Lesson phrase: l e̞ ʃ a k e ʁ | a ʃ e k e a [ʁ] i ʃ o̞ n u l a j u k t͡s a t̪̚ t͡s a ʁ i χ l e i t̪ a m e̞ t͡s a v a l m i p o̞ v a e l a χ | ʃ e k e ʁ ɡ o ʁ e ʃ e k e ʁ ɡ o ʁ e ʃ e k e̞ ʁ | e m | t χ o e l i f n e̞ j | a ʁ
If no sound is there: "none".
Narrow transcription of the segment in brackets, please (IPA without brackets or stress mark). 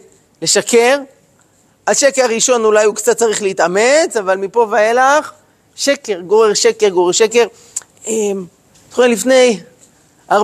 ʁ